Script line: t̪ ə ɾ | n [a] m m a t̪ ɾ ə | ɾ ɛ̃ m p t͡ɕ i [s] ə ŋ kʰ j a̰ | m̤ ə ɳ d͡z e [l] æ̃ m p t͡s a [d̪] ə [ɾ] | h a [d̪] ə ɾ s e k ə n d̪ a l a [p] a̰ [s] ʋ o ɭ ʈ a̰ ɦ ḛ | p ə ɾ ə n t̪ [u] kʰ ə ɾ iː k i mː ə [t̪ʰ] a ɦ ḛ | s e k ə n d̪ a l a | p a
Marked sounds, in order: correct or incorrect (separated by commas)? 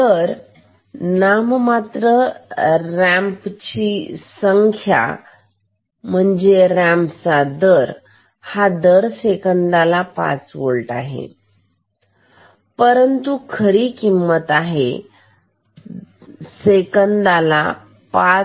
correct, correct, incorrect, correct, correct, correct, correct, incorrect, correct, incorrect